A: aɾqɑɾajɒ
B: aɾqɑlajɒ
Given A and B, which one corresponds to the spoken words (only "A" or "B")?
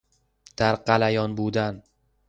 B